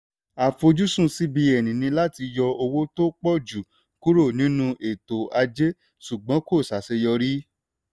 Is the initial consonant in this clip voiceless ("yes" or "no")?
yes